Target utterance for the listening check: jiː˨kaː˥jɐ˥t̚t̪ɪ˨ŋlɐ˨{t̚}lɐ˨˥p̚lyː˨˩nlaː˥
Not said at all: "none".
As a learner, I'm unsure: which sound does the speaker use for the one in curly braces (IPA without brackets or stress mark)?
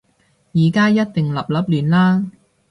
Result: p̚